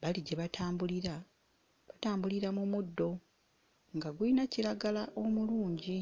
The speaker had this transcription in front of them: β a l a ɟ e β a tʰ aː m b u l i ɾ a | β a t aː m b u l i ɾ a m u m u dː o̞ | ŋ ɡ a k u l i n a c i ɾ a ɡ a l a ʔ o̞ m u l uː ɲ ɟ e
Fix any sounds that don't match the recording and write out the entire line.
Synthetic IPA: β a l i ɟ e β a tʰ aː m b u l i ɾ a | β a t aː m b u l i ɾ a m u m u dː o̞ | ŋ ɡ a ɡ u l i n a c i ɾ a ɡ a l a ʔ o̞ m u l uː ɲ ɟ i